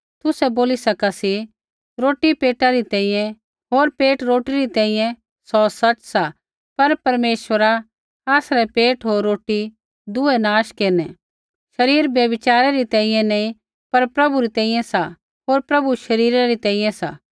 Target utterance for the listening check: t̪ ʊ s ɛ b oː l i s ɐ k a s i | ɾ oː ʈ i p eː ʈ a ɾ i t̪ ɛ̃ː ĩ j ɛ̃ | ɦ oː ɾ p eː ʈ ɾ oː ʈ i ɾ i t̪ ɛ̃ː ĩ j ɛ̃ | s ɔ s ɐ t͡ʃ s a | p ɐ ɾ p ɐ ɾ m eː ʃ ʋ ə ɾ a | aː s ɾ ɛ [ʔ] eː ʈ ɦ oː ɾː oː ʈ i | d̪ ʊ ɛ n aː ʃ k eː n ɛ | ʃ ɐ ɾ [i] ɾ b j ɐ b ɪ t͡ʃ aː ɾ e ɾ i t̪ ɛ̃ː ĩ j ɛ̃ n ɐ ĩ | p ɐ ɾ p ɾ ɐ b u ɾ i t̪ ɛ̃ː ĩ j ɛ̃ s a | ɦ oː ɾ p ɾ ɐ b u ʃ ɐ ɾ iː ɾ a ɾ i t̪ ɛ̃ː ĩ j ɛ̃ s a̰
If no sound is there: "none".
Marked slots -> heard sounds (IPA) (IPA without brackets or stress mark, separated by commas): p, iː